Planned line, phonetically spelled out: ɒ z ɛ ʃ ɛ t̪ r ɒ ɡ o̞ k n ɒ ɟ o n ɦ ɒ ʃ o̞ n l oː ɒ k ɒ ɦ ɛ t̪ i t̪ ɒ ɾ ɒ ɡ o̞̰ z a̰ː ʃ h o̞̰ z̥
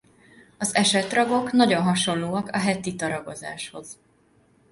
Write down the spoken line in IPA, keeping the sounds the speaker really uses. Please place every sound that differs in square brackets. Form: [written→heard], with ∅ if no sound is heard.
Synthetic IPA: ɒ z ɛ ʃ ɛ t̪ r ɒ ɡ o̞ k n ɒ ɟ o n ɦ ɒ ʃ o̞ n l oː ɒ k ɒ ɦ ɛ t̪ i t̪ ɒ ɾ ɒ ɡ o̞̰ z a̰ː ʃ h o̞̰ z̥